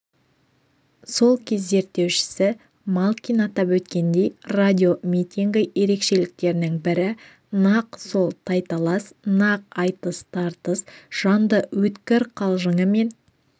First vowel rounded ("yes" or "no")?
yes